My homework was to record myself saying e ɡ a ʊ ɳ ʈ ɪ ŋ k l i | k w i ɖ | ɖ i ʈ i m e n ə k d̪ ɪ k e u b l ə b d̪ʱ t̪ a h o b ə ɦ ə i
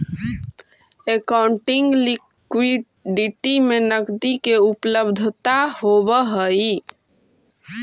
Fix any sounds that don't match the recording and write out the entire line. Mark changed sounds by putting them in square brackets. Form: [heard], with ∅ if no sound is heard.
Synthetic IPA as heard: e [k] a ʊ ɳ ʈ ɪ ŋ [ɡ] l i | k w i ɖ | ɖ i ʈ i m e n ə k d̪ [i] k e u [p] l ə b d̪ʱ t̪ a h o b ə ɦ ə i